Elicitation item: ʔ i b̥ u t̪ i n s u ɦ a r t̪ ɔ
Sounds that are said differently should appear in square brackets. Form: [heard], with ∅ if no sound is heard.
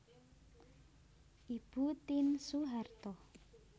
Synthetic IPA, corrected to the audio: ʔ i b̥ u t̪ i n s u ɦ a r t̪ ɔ